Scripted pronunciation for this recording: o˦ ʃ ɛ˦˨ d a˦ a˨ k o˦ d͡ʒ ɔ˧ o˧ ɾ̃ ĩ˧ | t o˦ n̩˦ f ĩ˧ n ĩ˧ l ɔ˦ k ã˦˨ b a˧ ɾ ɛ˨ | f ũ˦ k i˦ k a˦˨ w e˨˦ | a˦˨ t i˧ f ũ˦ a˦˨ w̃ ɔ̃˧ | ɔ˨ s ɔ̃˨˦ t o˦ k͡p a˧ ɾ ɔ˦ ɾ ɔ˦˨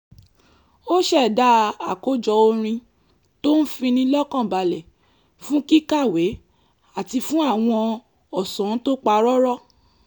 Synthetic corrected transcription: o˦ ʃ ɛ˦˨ d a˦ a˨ k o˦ d͡ʒ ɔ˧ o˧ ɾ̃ ĩ˧ | t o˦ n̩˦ f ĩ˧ n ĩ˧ l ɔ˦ k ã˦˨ b a˧ l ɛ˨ | f ũ˦ k i˦ k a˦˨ w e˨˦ | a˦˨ t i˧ f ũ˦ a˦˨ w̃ ɔ̃˧ | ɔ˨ s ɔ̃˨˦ t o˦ k͡p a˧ ɾ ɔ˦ ɾ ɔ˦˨